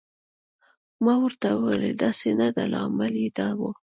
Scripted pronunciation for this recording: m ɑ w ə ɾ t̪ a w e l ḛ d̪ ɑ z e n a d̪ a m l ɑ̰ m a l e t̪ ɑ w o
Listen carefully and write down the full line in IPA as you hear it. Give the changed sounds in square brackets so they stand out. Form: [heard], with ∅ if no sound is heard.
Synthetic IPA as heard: m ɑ w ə ɾ t̪ a w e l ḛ d̪ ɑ [s] e n a d̪ a [∅] l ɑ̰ m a l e [d̪] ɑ w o

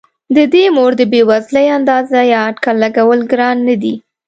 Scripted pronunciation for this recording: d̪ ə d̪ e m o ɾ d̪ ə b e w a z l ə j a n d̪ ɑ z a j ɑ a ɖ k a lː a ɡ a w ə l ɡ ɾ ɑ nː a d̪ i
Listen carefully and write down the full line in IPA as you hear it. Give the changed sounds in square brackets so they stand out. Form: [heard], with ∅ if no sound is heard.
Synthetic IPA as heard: d̪ ə d̪ e m o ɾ d̪ ə b e w a z l ə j a n d̪ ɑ z a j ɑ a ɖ k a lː a ɡ a w ə l ɡ ɾ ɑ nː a d̪ i

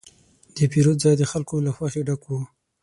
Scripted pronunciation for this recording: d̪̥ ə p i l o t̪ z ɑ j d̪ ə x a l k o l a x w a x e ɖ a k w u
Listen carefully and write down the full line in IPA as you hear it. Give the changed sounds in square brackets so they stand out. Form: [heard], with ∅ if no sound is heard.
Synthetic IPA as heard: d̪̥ ə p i [ɾ] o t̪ z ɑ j d̪ ə x a l k o l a x w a x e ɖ a k w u

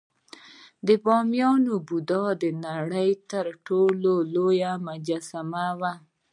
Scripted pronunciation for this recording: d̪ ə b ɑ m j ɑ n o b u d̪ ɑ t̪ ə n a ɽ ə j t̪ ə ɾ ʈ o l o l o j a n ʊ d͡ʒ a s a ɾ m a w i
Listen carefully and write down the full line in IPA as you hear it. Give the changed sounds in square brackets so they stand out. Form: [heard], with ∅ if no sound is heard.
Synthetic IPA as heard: d̪ ə b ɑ m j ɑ n o b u d̪ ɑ [d̪] ə n a ɽ ə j t̪ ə ɾ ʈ o l o l o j a [m] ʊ d͡ʒ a s a [∅] m a w [a]

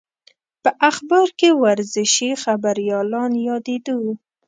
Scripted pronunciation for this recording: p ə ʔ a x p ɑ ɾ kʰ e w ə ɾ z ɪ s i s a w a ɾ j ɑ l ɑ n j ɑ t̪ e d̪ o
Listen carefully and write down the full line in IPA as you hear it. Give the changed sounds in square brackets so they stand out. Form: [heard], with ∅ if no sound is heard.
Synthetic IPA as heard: p ə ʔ a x [b] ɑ ɾ [k] e w [a] ɾ z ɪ [ʃ] i [x] a [b] a ɾ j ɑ l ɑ n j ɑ [d̪] e d̪ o

